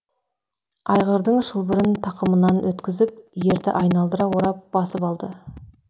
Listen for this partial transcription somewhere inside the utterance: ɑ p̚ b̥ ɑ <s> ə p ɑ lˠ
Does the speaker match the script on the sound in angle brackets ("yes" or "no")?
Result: yes